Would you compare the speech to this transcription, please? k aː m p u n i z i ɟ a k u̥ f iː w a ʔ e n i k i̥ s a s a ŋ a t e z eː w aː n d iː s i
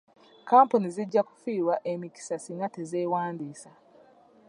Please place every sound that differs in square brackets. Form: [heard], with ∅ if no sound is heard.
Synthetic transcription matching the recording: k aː m p u n i z i [ɟː] a k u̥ f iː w a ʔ e [m] i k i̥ s a s [i] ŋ a t e z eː w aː n d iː s [a]